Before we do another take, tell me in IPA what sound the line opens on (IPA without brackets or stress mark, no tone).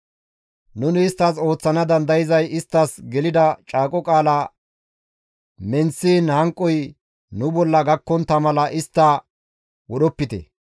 n